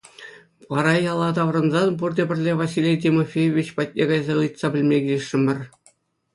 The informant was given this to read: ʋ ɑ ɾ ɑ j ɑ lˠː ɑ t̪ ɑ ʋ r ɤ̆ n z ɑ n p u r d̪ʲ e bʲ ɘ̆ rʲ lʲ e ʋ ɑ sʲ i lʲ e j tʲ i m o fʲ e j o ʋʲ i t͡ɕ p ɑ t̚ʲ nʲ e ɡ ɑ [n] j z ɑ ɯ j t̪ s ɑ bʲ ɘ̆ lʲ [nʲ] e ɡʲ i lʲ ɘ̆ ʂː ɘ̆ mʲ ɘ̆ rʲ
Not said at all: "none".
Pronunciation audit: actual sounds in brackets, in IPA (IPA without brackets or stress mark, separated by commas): none, mʲ